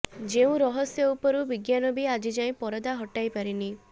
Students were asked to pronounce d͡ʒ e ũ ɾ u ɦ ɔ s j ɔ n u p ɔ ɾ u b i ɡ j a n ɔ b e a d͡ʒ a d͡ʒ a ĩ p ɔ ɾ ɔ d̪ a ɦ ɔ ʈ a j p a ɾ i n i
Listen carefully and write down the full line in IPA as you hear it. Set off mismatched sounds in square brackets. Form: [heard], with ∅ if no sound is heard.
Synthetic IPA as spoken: d͡ʒ e ũ ɾ [ɔ] ɦ ɔ s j ɔ [∅] u p ɔ ɾ u b i ɡ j a n ɔ b [i] a d͡ʒ [i] d͡ʒ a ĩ p ɔ ɾ ɔ d̪ a ɦ ɔ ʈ a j p a ɾ i n i